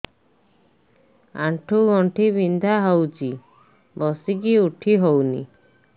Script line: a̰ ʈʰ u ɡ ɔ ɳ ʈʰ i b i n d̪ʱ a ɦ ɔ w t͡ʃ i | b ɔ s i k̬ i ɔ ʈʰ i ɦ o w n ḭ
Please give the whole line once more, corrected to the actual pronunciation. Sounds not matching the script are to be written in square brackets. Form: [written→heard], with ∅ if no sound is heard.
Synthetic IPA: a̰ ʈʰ u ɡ ɔ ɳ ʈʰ i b i n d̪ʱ a ɦ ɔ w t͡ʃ i | b ɔ s i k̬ i [ɔ→u] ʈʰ i ɦ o w n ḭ